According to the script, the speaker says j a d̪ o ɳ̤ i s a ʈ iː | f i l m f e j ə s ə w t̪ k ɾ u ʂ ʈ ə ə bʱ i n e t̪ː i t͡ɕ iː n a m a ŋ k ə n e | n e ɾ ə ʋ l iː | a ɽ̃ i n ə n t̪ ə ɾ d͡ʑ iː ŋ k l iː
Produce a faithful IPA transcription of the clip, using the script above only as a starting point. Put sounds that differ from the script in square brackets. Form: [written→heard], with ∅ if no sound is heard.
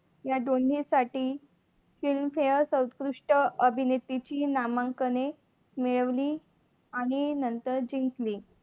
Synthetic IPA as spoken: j a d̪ o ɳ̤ i s a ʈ iː | f i l m f e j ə s ə w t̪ k ɾ u ʂ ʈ ə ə bʱ i n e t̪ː i t͡ɕ iː n a m a ŋ k ə n e | [n→m] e [ɾ→ɭ] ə ʋ l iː | a ɽ̃ i n ə n t̪ ə ɾ d͡ʑ [iː→i] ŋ k l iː